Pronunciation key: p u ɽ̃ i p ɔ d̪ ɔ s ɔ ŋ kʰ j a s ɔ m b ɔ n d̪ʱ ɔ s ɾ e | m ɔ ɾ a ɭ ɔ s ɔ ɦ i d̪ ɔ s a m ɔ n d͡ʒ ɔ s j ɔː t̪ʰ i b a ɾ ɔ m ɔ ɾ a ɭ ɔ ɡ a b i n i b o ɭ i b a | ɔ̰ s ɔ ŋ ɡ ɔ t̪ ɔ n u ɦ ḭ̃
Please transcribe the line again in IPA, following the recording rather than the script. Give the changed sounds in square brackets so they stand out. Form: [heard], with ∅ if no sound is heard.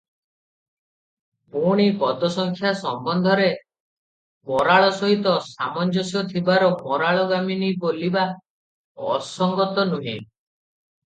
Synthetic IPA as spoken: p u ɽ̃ i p ɔ d̪ ɔ s ɔ ŋ kʰ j a s ɔ m b ɔ n d̪ʱ ɔ [∅] ɾ e | m ɔ ɾ a ɭ ɔ s ɔ ɦ i [t̪] ɔ s a m ɔ n d͡ʒ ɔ s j [ɔ] t̪ʰ i b a ɾ ɔ m ɔ ɾ a ɭ ɔ ɡ a [m] i n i b o [l] i b a | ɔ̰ s ɔ ŋ ɡ ɔ t̪ ɔ n u ɦ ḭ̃